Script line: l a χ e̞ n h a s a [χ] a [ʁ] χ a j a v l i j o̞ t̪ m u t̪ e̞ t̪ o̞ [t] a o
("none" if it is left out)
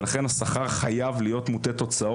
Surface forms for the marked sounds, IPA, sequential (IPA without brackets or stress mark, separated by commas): χ, ʁ, t͡s